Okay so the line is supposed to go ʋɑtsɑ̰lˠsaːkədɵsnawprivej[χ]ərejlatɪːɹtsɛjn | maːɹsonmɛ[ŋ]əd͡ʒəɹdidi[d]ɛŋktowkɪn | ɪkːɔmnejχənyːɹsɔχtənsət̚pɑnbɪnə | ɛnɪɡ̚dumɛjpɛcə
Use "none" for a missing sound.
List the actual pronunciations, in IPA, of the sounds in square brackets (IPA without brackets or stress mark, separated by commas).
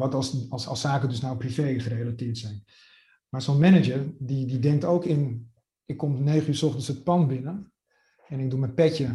χ, n, d